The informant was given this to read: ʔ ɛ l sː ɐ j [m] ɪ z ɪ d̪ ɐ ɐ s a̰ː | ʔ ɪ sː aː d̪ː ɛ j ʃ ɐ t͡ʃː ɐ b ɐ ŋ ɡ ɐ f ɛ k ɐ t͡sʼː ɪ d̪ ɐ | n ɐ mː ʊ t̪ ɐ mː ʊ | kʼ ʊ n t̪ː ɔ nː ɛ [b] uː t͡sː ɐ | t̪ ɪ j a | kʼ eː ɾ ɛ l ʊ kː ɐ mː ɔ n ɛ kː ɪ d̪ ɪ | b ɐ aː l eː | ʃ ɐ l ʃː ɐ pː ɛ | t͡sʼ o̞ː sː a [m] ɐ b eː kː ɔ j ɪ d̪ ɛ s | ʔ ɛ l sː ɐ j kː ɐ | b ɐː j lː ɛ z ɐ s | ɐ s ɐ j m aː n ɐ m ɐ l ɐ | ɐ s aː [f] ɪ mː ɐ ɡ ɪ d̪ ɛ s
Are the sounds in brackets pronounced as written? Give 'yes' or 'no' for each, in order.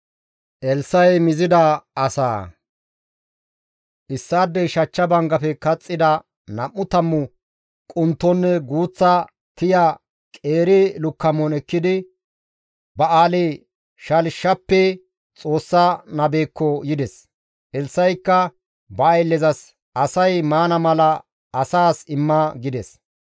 yes, no, no, no

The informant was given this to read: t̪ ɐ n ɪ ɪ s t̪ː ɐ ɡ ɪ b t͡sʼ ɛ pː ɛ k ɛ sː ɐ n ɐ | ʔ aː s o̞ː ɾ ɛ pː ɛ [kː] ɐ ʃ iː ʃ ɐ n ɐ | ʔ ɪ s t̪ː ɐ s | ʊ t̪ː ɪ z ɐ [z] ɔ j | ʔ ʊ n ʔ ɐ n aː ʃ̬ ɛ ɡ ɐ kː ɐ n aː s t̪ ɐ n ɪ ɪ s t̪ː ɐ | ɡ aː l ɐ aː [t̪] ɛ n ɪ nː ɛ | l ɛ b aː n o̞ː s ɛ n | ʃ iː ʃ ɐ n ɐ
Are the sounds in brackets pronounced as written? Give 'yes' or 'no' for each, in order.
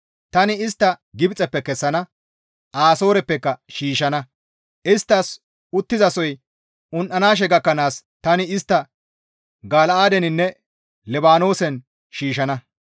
yes, no, no

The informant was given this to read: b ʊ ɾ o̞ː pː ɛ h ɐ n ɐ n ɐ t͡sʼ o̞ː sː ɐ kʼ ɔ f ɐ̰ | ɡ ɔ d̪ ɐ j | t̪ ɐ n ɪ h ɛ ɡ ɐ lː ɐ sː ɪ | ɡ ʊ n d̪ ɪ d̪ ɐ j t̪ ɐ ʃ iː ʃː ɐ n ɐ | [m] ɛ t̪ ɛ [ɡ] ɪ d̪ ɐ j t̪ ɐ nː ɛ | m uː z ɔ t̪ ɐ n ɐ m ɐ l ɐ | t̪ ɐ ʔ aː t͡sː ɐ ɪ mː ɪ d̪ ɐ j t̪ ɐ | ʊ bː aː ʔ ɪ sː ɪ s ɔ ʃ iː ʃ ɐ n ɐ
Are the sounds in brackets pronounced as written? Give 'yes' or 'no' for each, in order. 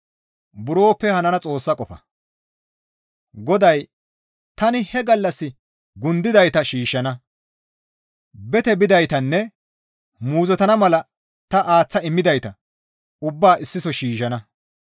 no, no

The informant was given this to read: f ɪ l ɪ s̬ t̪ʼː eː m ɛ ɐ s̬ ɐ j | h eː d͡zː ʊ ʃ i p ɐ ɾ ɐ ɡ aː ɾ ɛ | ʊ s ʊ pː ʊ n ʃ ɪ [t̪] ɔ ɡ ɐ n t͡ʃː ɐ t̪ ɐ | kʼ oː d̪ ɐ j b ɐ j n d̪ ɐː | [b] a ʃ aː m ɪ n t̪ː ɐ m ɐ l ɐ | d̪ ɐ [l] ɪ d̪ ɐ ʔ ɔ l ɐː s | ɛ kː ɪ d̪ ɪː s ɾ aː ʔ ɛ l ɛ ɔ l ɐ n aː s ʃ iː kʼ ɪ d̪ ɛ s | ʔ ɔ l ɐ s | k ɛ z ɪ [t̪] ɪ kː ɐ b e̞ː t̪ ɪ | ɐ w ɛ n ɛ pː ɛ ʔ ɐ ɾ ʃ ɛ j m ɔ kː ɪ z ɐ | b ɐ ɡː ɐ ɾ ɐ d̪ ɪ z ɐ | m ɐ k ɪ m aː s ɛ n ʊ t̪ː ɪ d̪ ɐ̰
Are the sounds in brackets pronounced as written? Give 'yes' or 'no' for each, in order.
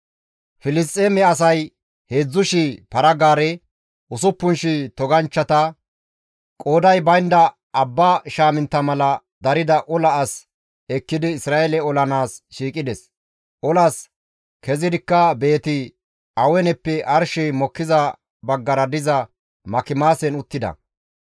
yes, no, no, no

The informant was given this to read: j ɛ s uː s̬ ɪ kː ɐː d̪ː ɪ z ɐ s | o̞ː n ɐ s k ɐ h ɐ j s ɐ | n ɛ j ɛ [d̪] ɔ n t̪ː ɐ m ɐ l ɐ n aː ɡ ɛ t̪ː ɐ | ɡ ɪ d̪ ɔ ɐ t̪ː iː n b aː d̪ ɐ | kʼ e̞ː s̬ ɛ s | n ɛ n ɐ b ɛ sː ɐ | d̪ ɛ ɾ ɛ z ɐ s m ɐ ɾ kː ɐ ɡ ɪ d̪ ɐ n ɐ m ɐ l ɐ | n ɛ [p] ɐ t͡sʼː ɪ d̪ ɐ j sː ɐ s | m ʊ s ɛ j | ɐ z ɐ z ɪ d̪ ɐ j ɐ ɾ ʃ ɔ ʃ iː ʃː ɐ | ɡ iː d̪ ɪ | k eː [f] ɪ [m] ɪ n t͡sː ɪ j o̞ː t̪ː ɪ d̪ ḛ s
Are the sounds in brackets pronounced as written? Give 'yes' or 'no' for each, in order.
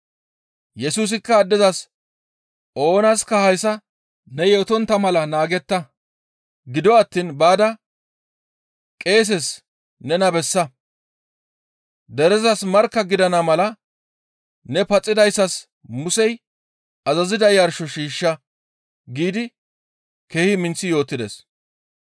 no, yes, no, yes

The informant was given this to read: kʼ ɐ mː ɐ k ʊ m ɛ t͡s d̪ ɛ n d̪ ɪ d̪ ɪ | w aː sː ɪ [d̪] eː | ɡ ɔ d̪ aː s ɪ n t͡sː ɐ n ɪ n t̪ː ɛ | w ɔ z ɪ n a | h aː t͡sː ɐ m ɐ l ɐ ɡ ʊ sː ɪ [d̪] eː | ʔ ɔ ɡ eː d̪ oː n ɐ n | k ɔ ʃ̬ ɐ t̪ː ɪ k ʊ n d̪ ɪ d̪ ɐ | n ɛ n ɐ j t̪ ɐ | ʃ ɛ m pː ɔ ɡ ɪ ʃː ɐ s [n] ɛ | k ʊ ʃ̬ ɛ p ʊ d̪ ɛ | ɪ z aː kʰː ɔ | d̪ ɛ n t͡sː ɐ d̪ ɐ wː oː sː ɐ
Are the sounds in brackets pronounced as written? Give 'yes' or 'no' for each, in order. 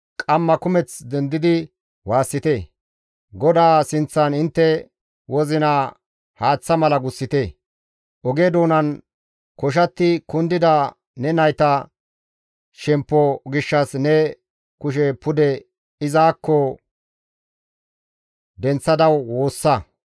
no, no, yes

